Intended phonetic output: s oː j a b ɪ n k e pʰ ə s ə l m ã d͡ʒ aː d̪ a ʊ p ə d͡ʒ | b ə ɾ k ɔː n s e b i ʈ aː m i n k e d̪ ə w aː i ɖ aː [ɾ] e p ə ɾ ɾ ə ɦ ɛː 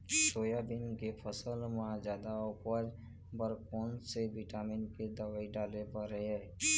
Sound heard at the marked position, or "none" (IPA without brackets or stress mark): l